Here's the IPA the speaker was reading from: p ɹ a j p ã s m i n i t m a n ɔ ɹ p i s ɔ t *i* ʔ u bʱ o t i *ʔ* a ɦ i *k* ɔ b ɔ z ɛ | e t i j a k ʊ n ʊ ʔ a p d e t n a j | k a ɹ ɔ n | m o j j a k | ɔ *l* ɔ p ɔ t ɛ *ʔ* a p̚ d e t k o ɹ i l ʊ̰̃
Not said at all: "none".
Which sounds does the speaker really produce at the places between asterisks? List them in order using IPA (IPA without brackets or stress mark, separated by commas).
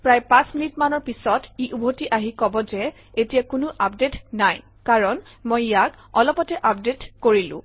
i, ʔ, k, l, ʔ